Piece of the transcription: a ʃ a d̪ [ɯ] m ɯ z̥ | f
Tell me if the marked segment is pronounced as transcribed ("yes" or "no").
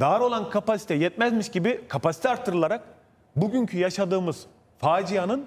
no